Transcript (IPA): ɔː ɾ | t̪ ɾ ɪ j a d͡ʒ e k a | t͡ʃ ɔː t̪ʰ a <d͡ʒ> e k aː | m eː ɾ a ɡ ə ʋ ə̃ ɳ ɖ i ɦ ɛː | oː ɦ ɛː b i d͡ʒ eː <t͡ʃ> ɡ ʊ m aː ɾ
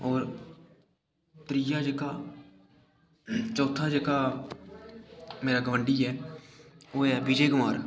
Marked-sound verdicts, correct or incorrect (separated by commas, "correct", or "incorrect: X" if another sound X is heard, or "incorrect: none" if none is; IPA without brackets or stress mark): correct, incorrect: none